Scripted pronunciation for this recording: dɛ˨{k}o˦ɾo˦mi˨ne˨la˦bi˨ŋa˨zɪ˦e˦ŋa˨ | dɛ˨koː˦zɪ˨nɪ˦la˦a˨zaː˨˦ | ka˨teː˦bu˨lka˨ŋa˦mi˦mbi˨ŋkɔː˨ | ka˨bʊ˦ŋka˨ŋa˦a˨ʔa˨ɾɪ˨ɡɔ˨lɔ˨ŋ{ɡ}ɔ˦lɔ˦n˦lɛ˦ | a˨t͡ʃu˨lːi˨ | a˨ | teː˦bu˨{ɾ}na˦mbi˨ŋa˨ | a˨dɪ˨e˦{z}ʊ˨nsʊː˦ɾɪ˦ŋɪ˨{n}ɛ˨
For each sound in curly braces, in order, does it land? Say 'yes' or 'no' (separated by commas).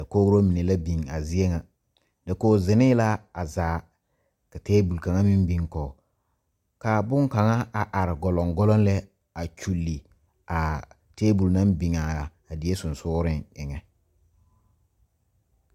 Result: yes, yes, no, no, no